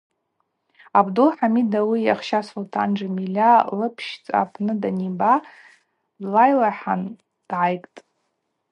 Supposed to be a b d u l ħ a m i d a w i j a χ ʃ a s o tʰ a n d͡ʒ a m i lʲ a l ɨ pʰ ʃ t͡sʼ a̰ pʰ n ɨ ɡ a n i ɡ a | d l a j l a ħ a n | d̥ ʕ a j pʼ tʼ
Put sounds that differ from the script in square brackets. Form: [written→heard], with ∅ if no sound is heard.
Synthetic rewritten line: a b d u l ħ a m i d a w i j a χ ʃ a s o tʰ a n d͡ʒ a m i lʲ a l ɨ pʰ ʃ t͡sʼ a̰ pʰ n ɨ [ɡ→d] a n i [ɡ→b] a | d l a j l a ħ a n | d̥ ʕ a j [pʼ→kʼ] tʼ